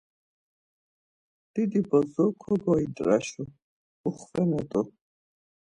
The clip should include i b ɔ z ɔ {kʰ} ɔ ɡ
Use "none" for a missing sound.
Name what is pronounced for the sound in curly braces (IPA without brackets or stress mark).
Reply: kʰ